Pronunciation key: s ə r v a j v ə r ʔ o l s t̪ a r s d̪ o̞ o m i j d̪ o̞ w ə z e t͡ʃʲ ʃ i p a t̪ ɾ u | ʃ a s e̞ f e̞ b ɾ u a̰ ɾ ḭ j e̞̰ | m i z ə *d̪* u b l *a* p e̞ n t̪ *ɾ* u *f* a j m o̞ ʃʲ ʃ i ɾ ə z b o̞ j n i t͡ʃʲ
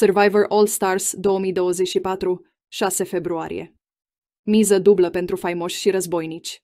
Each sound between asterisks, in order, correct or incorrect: correct, incorrect: ə, correct, correct

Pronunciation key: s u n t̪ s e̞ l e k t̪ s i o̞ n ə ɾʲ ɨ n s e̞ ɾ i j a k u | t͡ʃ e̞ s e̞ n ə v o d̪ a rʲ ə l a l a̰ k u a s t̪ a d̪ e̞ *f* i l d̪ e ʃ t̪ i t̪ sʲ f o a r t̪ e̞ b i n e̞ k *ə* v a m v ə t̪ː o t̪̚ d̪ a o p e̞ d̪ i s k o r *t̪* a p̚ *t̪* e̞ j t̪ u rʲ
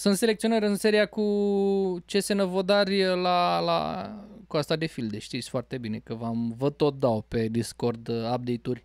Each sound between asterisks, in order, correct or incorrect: correct, correct, incorrect: d̪, incorrect: d̪

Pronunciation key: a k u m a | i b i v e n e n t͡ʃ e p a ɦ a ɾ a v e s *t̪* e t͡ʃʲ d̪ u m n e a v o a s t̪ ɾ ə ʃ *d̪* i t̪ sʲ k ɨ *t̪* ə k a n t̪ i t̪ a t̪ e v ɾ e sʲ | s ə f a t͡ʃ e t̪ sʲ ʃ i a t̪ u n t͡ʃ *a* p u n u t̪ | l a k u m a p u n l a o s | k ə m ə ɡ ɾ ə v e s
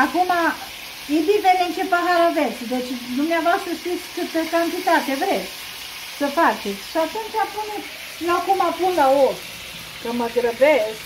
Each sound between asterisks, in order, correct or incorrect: incorrect: d̪, incorrect: t̪, correct, correct

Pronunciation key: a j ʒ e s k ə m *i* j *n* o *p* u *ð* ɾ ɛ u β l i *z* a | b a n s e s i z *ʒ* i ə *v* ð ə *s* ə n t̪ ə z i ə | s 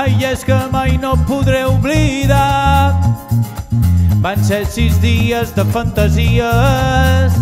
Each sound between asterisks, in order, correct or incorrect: incorrect: a, correct, correct, correct, incorrect: ð, incorrect: ð, incorrect: z, incorrect: f

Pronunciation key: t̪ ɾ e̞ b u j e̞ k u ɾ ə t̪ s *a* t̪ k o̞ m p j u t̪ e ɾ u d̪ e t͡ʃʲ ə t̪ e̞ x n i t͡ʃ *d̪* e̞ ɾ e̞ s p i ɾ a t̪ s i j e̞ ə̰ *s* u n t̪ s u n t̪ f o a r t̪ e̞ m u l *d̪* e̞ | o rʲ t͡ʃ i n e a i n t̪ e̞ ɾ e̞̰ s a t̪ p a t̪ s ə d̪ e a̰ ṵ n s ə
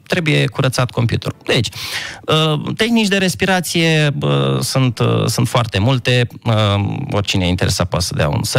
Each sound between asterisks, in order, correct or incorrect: correct, correct, correct, incorrect: t̪

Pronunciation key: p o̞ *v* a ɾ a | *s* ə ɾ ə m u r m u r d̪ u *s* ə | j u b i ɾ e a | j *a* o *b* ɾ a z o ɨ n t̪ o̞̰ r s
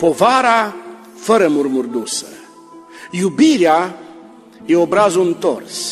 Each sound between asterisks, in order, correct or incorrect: correct, incorrect: f, correct, incorrect: e, correct

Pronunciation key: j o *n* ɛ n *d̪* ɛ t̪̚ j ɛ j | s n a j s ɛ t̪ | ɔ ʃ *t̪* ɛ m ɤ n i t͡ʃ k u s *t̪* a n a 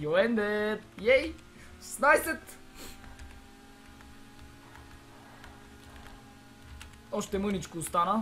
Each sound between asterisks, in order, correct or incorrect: incorrect: none, correct, correct, correct

